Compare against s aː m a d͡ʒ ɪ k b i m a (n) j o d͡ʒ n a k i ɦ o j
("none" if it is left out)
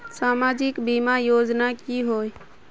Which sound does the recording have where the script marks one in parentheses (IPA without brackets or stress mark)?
none